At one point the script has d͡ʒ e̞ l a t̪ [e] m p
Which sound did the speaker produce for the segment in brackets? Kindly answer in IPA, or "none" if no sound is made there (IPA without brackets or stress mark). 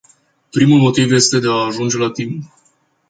i